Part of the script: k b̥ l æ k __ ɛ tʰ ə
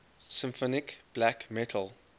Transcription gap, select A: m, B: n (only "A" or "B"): A